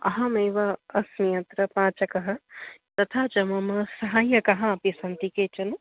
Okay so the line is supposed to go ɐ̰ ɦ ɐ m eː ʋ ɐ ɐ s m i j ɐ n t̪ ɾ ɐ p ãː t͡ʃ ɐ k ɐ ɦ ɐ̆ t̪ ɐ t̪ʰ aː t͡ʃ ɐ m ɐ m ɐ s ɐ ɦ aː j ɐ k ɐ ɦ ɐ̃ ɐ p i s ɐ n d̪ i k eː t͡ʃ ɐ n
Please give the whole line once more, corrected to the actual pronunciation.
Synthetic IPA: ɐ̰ ɦ ɐ m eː ʋ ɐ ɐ s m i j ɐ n t̪ ɾ ɐ p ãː t͡ʃ ɐ k ɐ ɦ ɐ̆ t̪ ɐ t̪ʰ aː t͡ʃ ɐ m ɐ m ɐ s ɐ ɦ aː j ɐ k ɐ ɦ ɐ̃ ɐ p i s ɐ n t̪ i k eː t͡ʃ ɐ n